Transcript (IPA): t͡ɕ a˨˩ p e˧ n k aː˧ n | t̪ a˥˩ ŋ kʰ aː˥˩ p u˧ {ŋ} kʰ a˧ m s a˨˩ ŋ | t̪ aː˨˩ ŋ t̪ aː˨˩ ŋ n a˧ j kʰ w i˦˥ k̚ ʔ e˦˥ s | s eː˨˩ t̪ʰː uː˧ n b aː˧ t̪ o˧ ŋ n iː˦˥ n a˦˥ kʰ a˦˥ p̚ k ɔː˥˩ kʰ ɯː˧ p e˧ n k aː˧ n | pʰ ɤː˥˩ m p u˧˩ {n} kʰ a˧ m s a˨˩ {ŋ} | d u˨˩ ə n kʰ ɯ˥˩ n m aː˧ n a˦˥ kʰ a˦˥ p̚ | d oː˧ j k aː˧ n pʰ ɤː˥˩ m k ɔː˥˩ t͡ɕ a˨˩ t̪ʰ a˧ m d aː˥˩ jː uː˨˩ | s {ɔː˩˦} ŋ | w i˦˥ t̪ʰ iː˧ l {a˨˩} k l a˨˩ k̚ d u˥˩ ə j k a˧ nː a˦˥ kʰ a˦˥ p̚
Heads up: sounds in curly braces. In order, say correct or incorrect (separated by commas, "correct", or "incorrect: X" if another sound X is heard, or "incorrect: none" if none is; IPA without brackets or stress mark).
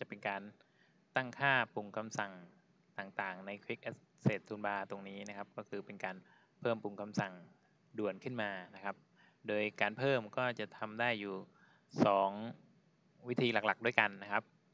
correct, incorrect: ŋ, correct, correct, correct